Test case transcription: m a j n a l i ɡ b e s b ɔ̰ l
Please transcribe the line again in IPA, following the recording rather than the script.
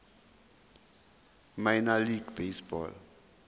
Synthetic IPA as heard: m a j n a l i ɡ b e s b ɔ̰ l